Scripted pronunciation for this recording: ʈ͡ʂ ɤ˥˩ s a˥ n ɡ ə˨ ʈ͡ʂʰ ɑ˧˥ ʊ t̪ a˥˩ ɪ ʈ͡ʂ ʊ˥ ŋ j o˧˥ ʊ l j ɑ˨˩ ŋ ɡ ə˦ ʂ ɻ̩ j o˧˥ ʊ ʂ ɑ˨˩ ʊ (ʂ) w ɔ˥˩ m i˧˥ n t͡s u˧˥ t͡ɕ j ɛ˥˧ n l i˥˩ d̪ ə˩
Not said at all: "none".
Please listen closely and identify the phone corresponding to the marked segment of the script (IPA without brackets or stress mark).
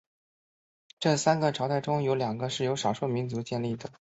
ʂ